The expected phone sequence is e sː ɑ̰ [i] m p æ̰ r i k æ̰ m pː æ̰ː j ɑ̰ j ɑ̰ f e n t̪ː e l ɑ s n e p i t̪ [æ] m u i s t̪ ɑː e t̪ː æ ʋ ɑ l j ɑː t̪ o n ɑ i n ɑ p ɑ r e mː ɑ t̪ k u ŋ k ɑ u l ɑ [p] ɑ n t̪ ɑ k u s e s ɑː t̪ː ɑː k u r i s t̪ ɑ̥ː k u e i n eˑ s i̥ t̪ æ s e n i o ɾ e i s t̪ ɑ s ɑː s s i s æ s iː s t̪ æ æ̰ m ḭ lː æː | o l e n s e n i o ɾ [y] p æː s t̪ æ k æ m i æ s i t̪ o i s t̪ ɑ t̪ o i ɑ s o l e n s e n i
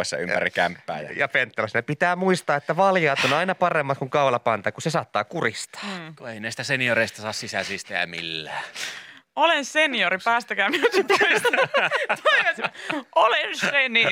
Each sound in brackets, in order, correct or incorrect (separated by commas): incorrect, incorrect, correct, incorrect